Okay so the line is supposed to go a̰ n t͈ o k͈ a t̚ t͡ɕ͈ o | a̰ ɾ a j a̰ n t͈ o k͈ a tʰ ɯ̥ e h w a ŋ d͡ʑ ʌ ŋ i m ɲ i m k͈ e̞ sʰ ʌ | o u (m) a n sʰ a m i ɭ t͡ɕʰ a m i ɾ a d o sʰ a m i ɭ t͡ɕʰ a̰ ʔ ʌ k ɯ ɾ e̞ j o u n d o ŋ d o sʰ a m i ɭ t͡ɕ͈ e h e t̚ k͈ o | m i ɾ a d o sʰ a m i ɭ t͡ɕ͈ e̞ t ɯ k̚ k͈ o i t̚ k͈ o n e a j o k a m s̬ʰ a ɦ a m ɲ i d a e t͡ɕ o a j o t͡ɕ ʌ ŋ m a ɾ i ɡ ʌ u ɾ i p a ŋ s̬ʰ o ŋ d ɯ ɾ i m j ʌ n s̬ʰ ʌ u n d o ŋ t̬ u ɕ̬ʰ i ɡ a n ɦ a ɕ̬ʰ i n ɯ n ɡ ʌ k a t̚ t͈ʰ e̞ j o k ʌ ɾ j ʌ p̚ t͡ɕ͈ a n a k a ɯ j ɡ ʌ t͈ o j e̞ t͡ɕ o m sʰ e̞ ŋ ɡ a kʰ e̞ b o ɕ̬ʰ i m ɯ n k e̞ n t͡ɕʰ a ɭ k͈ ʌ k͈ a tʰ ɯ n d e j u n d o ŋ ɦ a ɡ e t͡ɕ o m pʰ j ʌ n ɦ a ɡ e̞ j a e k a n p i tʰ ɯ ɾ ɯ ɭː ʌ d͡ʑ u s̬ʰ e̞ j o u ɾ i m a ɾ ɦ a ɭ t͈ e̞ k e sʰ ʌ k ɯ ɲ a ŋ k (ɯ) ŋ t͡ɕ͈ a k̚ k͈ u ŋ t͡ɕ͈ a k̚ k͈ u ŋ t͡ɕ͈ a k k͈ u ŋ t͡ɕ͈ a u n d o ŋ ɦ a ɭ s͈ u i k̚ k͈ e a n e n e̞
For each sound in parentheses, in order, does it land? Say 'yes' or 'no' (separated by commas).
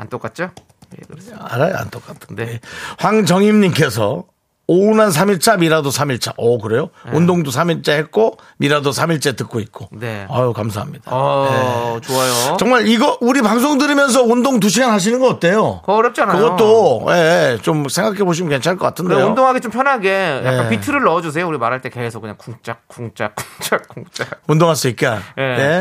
no, no